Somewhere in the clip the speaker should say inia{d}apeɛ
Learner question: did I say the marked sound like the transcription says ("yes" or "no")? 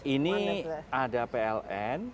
yes